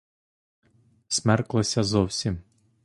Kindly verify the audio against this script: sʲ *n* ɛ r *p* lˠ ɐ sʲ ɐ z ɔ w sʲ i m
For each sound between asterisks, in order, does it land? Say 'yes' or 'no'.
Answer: no, no

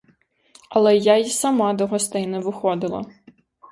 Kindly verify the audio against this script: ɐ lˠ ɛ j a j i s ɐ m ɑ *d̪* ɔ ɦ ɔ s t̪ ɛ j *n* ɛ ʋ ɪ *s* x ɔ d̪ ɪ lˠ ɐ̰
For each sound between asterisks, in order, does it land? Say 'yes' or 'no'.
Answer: yes, yes, no

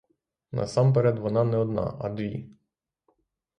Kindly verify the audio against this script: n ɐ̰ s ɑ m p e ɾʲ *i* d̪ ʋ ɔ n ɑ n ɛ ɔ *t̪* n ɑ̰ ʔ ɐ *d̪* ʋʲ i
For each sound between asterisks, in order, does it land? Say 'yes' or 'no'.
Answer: no, no, yes

